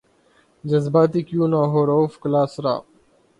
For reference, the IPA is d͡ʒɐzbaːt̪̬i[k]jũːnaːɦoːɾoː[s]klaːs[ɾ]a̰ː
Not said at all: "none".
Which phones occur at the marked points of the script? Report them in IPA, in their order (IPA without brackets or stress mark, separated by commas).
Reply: k, f, ɾ